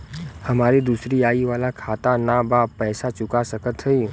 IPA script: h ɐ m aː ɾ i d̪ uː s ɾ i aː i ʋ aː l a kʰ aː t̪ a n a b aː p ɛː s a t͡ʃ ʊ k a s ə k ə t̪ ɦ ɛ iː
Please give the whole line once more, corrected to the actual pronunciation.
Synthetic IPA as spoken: h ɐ m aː ɾ i d̪ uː s ɾ i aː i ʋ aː l a kʰ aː t̪ a n a b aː p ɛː s a t͡ʃ ʊ k a s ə k ə t̪ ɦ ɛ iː

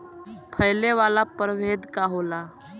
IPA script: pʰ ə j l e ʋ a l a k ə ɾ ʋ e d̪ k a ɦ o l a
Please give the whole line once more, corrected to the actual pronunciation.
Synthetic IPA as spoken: pʰ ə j l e ʋ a l a p ə ɾ ʋ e d̪ k a ɦ o l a

